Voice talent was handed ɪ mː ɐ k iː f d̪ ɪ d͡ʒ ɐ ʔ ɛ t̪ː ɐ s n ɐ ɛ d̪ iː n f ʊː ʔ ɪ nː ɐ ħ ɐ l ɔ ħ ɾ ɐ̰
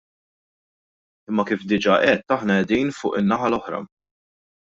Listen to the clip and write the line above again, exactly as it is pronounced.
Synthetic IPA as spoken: ɪ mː ɐ k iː f d̪ ɪ d͡ʒ ɐ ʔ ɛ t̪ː ɐ ħ n ɐ ɛ d̪ iː n f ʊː ʔ ɪ nː ɐ ħ ɐ l ɔ ħ ɾ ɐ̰